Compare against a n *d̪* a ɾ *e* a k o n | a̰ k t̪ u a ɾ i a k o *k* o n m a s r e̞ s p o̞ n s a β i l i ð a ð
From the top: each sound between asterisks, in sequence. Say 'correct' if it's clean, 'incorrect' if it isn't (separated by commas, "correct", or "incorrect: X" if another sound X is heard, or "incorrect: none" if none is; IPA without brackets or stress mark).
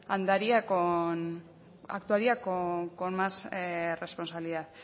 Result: correct, incorrect: i, correct